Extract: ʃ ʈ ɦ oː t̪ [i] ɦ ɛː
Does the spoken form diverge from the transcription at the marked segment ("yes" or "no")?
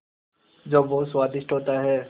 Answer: yes